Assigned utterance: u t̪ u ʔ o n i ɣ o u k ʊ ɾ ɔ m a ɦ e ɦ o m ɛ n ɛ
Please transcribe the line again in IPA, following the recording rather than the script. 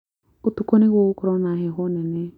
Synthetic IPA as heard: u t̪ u k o n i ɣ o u k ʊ ɾ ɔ n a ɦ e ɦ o n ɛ n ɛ